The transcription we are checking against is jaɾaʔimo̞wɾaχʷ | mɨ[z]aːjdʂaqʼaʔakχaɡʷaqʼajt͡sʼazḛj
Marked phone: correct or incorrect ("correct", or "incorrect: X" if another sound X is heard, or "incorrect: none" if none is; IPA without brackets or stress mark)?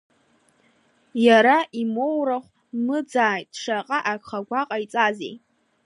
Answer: incorrect: d͡z